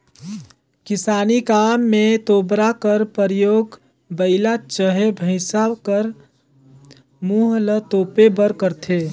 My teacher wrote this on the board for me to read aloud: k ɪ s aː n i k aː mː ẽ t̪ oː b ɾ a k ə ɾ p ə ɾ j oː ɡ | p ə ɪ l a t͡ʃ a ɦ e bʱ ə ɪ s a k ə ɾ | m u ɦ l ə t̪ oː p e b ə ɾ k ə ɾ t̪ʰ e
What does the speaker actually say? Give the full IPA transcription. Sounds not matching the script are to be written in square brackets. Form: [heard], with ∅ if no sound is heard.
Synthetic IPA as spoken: k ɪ s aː n i k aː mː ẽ t̪ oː b ɾ a k ə ɾ p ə ɾ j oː ɡ | [b] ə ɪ l a t͡ʃ [ə] ɦ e bʱ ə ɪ s a k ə ɾ | m u ɦ l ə t̪ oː p e b ə ɾ k ə ɾ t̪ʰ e

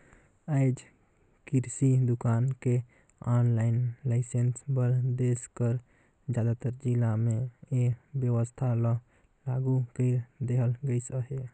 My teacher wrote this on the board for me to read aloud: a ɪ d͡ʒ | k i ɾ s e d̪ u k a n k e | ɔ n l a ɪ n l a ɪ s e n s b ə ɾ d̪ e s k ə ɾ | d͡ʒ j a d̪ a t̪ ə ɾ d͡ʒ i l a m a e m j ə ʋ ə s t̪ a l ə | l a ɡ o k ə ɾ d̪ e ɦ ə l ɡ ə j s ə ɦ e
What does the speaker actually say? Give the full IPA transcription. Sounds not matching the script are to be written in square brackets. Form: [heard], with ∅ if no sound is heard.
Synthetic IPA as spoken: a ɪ d͡ʒ | k i ɾ s [i] d̪ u k a n k e | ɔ n l a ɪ n l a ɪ s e n s b ə ɾ d̪ e s k ə ɾ | d͡ʒ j a d̪ a t̪ ə ɾ d͡ʒ i l a m [e] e [b] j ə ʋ ə s [t̪ʰ] a l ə | l a ɡ [u] k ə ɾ d̪ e ɦ ə l ɡ ə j s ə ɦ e

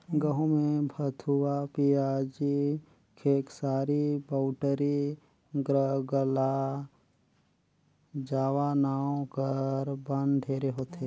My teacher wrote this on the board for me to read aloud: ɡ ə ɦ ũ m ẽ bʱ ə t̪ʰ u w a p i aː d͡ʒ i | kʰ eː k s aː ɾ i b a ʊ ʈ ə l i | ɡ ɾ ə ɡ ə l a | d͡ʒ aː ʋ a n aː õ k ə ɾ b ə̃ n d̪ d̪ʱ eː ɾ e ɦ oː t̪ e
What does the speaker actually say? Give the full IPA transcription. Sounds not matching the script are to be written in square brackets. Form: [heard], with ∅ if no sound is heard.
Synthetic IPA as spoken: ɡ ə ɦ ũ m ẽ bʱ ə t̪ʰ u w a p i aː d͡ʒ i | kʰ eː k s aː ɾ i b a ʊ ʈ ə [ɾ] i | ɡ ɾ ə ɡ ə l a | d͡ʒ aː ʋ a n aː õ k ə ɾ b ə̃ n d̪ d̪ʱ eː ɾ e ɦ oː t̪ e

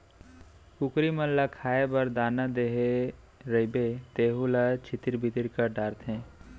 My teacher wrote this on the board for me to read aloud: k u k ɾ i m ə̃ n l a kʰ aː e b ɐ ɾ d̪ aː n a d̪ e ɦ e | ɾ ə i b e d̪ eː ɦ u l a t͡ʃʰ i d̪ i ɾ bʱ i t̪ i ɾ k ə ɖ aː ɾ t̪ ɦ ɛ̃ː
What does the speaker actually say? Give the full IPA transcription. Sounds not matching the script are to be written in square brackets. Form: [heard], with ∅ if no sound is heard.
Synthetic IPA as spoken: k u k ɾ i m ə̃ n l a kʰ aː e b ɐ ɾ d̪ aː n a d̪ e ɦ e | ɾ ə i b e [t̪] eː ɦ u l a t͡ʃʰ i [t̪] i ɾ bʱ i t̪ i ɾ k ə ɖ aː ɾ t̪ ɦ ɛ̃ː

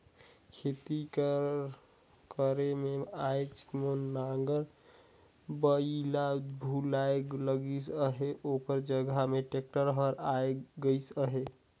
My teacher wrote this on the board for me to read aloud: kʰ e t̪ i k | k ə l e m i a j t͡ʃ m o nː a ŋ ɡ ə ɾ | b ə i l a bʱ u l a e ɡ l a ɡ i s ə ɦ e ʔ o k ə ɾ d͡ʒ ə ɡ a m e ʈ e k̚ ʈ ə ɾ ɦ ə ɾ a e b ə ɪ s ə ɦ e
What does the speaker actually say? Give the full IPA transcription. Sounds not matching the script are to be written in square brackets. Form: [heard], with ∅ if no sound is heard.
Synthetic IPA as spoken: kʰ e t̪ i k | k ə [ɾ] e m [e] a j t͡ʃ m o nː a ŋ ɡ ə ɾ | b ə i l a bʱ u l a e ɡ l [ə] ɡ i s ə ɦ e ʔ o k ə ɾ d͡ʒ ə ɡ a m e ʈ e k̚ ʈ ə ɾ ɦ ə ɾ a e [ɡ] ə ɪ s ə ɦ e

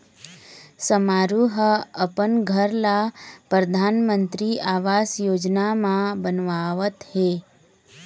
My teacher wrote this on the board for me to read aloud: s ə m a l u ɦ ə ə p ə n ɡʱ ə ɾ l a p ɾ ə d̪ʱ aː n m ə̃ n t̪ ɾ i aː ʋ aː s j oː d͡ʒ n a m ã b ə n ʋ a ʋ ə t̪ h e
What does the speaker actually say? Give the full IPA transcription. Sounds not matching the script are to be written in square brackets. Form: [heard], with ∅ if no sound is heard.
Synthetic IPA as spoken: s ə m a [ɾ] u ɦ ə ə p ə n ɡʱ ə ɾ l a p ɾ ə d̪ʱ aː n m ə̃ n t̪ ɾ i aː ʋ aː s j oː d͡ʒ n a m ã b ə n ʋ a ʋ ə t̪ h e

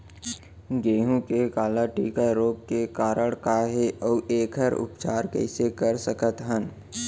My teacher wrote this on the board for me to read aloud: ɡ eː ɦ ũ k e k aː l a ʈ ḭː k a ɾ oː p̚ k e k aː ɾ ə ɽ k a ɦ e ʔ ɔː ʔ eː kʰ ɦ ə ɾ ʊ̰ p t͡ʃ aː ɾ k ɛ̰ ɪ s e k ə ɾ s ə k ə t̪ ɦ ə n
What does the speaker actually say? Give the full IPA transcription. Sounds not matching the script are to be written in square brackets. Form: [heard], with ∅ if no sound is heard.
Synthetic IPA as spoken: ɡ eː ɦ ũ k e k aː l a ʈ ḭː k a ɾ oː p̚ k e k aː ɾ ə ɽ k a ɦ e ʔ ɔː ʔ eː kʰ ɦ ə ɾ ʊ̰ p t͡ʃ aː ɾ k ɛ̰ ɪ s e k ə ɾ s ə k ə t̪ ɦ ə n

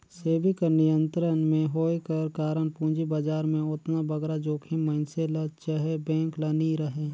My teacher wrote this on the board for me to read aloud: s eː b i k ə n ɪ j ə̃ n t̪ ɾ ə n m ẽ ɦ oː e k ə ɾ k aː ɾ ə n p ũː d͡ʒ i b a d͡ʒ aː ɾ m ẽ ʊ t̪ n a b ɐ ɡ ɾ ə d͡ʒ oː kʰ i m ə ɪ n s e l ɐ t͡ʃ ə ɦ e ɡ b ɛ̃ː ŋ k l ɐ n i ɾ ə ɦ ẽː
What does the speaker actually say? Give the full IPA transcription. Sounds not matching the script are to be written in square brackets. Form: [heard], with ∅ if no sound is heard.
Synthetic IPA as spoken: s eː b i k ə n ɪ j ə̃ n t̪ ɾ ə n m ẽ ɦ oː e k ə ɾ k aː ɾ ə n p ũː d͡ʒ i b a d͡ʒ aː ɾ m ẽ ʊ t̪ n a b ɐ ɡ ɾ [a] d͡ʒ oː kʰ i m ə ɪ n s e l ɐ t͡ʃ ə ɦ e [∅] b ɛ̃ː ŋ k l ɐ n i ɾ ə ɦ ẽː

